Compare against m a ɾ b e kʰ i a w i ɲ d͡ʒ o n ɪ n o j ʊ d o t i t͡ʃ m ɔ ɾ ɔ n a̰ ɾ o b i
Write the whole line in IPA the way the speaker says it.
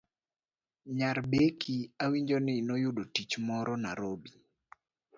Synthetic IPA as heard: ɲ a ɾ b e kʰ i a w i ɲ d͡ʒ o n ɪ n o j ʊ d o t i t͡ʃ m ɔ ɾ ɔ n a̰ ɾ o b i